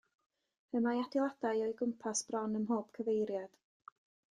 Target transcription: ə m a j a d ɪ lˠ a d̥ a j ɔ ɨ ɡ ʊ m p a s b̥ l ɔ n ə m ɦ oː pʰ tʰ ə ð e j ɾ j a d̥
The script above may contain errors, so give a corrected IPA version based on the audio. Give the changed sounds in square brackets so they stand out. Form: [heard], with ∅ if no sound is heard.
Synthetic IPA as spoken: ə m a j a d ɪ lˠ a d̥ a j ɔ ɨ ɡ ʊ m [pʰ] a s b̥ [r] ɔ n ə m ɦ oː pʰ [kʰ] ə [v] e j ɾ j a d̥